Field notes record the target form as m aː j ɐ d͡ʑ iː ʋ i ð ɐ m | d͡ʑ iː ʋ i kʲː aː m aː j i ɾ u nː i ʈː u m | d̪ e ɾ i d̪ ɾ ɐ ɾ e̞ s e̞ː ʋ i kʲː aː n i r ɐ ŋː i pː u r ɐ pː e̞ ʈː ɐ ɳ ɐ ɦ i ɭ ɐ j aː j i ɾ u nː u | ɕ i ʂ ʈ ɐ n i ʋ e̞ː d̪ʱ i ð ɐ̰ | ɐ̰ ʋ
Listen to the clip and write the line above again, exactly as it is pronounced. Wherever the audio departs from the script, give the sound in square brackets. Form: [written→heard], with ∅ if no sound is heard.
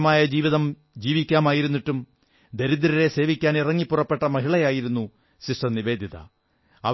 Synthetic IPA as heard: m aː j ɐ d͡ʑ iː ʋ i ð ɐ m | d͡ʑ iː ʋ i kʲː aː m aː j i ɾ u nː i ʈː u m | d̪ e ɾ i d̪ ɾ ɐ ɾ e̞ s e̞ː ʋ i kʲː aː n i r ɐ ŋː i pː u r ɐ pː e̞ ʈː ɐ [ɳ→m] ɐ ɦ i ɭ ɐ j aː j i ɾ u nː u | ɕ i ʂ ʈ ɐ n i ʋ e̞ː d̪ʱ i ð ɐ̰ | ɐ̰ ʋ

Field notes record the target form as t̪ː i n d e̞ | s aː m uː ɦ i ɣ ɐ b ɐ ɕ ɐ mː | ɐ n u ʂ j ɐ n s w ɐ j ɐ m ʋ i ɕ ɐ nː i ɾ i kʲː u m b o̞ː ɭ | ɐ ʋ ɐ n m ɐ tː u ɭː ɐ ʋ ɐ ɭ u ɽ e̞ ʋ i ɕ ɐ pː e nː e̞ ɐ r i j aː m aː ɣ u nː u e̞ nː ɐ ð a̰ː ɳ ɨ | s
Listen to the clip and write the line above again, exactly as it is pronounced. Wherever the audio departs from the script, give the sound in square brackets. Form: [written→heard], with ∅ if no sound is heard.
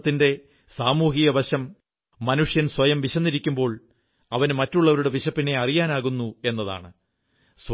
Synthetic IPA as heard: t̪ː i n d e̞ | s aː m uː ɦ i ɣ ɐ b ɐ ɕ ɐ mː | ɐ n u ʂ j ɐ n s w ɐ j ɐ m ʋ i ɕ ɐ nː i ɾ i kʲː u m b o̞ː ɭ | ɐ ʋ ɐ n m ɐ tː u ɭː ɐ ʋ ɐ [ɭ→ɾ] u ɽ e̞ ʋ i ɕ ɐ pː [e→i] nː e̞ ɐ r i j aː [m→n] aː ɣ u nː u e̞ nː ɐ ð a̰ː ɳ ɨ | s

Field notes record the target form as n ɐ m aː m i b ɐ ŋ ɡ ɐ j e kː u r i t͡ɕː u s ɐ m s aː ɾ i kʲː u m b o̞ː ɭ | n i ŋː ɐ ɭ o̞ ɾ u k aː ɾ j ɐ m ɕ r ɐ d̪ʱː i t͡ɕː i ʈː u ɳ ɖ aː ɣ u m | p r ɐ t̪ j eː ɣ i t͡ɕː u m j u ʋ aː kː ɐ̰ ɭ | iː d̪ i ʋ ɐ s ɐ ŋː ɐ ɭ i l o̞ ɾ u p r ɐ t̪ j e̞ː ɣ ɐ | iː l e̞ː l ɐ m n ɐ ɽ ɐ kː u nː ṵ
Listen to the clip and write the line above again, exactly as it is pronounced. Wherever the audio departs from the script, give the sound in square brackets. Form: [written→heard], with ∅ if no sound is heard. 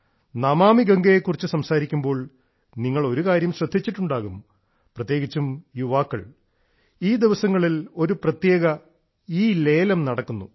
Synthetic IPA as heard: n ɐ m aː m i [b→ɡ] ɐ ŋ ɡ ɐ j e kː u r i t͡ɕː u s ɐ m s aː ɾ i kʲː u m b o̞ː ɭ | n i ŋː ɐ ɭ o̞ ɾ u k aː ɾ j ɐ m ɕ r ɐ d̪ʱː i t͡ɕː i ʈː u ɳ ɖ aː ɣ u m | p r ɐ t̪ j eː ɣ i t͡ɕː u m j u ʋ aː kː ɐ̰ ɭ | iː d̪ i ʋ ɐ s ɐ ŋː ɐ ɭ i l o̞ ɾ u p r ɐ t̪ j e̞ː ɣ ɐ | iː l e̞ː l ɐ m n ɐ ɽ ɐ kː u nː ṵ

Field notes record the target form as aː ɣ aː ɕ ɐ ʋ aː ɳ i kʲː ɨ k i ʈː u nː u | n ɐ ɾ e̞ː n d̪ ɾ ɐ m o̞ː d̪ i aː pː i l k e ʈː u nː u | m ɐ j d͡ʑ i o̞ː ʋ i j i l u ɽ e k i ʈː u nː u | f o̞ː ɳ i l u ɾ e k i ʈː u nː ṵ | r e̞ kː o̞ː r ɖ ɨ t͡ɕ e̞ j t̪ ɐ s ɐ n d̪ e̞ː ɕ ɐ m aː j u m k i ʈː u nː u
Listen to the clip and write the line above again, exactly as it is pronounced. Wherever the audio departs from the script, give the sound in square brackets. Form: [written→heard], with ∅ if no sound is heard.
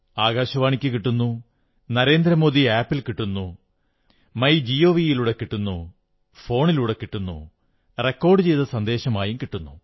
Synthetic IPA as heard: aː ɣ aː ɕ ɐ ʋ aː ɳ i kʲː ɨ k i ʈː u nː u | n ɐ ɾ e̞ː n d̪ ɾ ɐ m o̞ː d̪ i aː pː i l k [e→i] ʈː u nː u | m ɐ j d͡ʑ i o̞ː ʋ i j i l u ɽ e k i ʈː u nː u | f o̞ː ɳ i l u [ɾ→ɽ] e k i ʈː u nː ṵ | r e̞ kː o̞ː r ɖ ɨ t͡ɕ e̞ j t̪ ɐ s ɐ n d̪ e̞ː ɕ ɐ m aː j u m k i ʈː u nː u

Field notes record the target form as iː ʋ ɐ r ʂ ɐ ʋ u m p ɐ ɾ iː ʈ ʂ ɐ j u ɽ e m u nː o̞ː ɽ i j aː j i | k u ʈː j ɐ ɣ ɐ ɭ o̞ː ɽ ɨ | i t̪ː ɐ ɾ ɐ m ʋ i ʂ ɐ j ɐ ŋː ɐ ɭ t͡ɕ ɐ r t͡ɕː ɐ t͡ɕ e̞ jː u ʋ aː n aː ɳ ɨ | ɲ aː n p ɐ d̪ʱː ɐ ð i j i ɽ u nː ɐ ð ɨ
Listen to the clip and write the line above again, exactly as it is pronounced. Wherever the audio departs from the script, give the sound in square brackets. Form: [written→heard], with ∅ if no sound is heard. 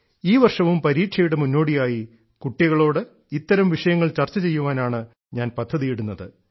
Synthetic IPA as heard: iː ʋ ɐ r ʂ ɐ ʋ u m p ɐ ɾ iː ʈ ʂ ɐ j u ɽ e m u nː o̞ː ɽ i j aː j i | k u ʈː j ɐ ɣ ɐ ɭ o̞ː ɽ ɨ | i t̪ː ɐ ɾ ɐ m ʋ i ʂ ɐ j ɐ ŋː ɐ ɭ t͡ɕ ɐ r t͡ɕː ɐ t͡ɕ e̞ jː u ʋ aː n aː ɳ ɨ | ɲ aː n p ɐ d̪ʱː ɐ ð i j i ɽ u nː ɐ ð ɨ

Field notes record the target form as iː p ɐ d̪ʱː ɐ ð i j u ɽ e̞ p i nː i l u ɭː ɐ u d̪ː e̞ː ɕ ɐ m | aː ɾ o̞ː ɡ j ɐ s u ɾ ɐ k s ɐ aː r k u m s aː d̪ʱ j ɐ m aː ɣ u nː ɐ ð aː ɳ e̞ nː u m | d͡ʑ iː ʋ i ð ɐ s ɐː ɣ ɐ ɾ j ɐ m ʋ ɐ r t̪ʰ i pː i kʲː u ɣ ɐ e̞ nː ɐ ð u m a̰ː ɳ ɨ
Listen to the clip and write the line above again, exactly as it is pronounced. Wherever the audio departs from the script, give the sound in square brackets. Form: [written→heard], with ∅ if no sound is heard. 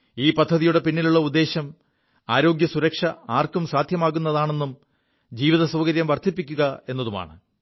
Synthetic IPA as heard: iː p ɐ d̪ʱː ɐ ð i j u ɽ e̞ p i nː i l u ɭː ɐ u d̪ː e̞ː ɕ ɐ m | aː ɾ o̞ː ɡ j ɐ s u ɾ ɐ k [s→ʂ] ɐ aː r k u m s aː d̪ʱ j ɐ m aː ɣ u nː ɐ ð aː ɳ e̞ nː u m | d͡ʑ iː ʋ i ð ɐ s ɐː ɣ ɐ ɾ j ɐ m ʋ ɐ r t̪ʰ i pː i kʲː u ɣ ɐ e̞ nː ɐ ð u m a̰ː ɳ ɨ

